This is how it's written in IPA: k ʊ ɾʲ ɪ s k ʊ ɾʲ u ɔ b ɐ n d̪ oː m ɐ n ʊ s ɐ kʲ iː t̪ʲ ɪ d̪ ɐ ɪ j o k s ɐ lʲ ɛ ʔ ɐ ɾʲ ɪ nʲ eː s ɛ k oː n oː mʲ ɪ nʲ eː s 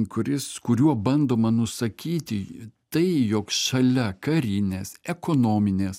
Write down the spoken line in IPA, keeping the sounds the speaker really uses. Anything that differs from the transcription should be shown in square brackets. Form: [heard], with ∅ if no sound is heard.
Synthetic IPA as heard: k ʊ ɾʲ ɪ s k ʊ ɾʲ u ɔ b ɐ n d̪ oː m ɐ n ʊ s ɐ kʲ iː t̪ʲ ɪ [t̪] ɐ ɪ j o k [ʃ] ɐ lʲ ɛ [k] ɐ ɾʲ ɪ nʲ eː s ɛ k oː n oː mʲ ɪ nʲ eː s